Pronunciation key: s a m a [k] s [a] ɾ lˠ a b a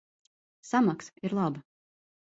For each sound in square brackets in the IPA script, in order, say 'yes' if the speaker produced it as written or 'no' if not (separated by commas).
yes, no